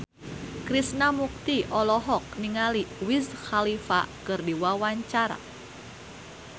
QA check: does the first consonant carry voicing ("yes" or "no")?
no